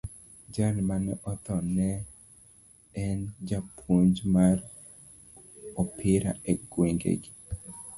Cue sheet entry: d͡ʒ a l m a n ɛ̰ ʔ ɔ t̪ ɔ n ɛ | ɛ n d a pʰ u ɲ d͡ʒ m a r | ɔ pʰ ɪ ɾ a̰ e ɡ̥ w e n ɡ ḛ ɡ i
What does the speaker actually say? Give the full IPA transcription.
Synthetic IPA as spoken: d͡ʒ a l m a n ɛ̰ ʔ ɔ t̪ ɔ n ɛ | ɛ n d͡ʒ a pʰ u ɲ d͡ʒ m a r | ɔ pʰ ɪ ɾ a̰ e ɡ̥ w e ŋ ɡ ḛ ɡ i